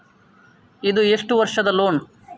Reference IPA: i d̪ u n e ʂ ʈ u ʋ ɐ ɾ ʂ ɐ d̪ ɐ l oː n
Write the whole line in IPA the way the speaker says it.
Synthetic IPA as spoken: i d̪ u e ʂ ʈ u ʋ ɐ ɾ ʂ ɐ d̪ ɐ l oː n